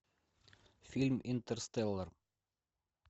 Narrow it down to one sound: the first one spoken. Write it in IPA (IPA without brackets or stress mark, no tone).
f